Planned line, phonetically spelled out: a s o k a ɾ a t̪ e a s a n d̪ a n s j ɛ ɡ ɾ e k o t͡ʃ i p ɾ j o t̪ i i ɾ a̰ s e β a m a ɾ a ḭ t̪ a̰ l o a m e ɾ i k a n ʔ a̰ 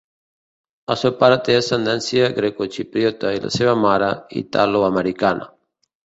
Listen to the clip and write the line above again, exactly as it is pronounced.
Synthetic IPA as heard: a s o p a ɾ a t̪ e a s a n d̪ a n s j a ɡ ɾ e k o t͡ʃ i p ɾ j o t̪ a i l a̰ s e β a m a ɾ a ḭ t̪ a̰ l o a m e ɾ i k a n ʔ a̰